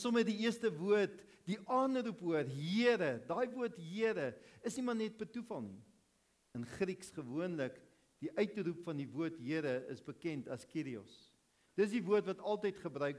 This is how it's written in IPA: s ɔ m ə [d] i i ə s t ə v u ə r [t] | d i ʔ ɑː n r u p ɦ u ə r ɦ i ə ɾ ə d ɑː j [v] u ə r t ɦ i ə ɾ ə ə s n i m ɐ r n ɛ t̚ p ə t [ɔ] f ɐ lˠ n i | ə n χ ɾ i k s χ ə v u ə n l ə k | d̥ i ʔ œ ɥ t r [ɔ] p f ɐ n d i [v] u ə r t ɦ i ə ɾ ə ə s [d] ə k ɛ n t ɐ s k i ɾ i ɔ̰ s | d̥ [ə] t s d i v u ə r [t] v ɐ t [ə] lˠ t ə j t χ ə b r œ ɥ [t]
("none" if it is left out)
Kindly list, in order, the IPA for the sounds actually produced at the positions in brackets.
d, t, v, u, u, v, b, ə, t, ɐ, k

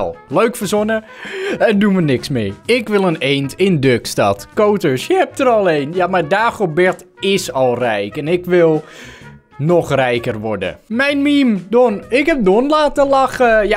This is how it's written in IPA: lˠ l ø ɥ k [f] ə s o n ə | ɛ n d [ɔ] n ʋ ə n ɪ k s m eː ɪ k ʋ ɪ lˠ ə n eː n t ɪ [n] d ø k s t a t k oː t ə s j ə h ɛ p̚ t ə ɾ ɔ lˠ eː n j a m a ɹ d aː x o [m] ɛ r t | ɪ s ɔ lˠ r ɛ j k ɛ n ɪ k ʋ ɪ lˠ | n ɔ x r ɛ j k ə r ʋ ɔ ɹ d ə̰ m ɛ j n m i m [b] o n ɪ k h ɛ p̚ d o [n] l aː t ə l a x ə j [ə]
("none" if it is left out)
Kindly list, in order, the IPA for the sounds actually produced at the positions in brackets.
f, u, n, b, d, n, a

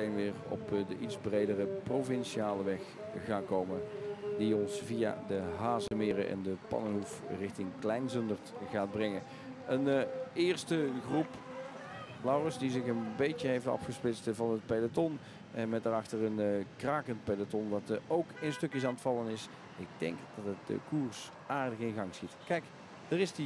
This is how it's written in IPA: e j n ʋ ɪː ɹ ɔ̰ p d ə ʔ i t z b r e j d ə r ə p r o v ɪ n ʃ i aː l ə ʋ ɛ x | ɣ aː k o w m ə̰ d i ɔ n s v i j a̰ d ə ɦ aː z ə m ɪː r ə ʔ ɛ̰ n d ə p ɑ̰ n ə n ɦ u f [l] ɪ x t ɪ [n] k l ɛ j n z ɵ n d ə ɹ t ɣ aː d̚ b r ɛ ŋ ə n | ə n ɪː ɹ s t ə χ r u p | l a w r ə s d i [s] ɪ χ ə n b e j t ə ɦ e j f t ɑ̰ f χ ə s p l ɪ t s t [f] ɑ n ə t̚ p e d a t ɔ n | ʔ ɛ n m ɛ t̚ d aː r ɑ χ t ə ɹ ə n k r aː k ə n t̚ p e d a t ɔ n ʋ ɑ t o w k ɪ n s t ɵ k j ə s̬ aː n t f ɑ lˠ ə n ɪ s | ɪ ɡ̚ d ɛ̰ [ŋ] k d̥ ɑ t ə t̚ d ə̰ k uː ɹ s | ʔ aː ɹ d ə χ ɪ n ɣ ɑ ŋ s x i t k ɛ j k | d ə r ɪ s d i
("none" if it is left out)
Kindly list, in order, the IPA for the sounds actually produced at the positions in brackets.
r, ŋ, z, v, ŋ

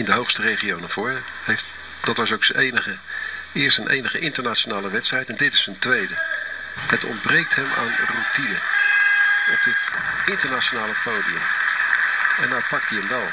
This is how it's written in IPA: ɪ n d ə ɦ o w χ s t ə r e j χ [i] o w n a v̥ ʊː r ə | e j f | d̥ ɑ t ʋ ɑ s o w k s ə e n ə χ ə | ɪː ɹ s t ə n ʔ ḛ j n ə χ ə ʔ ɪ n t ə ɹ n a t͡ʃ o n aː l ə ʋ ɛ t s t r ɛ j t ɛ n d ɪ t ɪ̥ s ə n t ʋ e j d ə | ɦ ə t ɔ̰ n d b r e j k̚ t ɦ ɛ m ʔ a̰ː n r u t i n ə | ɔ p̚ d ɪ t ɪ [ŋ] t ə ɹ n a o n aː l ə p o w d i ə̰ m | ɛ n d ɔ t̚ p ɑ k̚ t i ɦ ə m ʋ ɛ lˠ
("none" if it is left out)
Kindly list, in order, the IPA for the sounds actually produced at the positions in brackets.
i, n

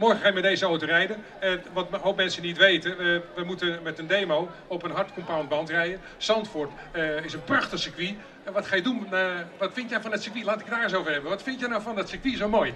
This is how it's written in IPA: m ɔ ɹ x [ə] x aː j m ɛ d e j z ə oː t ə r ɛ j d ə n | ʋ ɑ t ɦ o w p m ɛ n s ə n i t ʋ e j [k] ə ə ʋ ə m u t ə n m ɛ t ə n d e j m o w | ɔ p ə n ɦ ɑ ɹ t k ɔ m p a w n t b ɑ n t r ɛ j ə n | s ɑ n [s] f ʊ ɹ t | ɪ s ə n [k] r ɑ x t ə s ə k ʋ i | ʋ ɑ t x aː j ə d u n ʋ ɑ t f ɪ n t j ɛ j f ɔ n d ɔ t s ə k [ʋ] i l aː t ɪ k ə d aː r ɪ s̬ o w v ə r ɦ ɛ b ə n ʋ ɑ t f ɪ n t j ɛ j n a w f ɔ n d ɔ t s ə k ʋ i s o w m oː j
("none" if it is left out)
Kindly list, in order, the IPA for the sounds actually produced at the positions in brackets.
ə, t, t, p, ʋ

